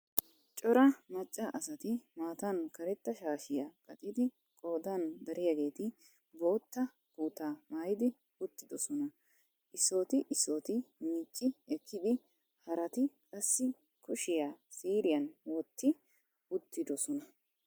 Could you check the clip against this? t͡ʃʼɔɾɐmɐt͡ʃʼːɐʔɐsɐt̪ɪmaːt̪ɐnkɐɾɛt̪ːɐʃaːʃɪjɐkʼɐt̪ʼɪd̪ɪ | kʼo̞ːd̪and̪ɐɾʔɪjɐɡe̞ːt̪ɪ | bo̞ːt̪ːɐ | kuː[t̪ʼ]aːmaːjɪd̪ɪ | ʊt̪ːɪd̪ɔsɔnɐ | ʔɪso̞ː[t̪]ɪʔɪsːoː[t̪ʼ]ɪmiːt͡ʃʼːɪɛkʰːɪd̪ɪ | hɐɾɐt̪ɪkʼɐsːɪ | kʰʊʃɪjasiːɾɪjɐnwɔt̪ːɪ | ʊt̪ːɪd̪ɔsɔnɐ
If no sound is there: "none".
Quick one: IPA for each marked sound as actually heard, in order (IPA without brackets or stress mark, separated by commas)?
t̪, t̪, t̪